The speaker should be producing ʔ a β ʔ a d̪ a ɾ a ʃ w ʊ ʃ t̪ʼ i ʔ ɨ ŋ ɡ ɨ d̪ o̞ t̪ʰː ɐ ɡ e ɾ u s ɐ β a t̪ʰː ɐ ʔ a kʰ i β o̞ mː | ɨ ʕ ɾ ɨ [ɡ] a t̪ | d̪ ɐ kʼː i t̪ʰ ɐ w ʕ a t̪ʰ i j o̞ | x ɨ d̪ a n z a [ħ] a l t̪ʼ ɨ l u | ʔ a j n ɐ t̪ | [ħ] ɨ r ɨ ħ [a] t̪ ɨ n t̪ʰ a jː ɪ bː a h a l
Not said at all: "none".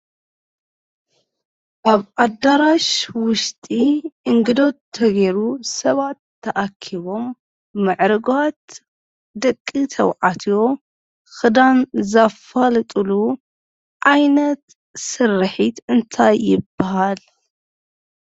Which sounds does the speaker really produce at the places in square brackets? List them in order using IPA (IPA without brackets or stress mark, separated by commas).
ɡ, f, s, i